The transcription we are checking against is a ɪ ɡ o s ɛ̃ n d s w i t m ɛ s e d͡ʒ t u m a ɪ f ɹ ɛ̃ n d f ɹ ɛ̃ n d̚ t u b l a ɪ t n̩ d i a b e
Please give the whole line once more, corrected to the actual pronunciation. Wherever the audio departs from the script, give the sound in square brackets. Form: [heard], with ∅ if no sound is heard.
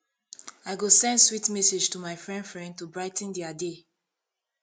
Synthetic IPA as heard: a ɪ ɡ o s ɛ̃ n d s w i t m ɛ s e d͡ʒ t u m a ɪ f ɹ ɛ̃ n d f ɹ ɛ̃ n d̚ t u b [ɹ] a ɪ t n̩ d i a [d] e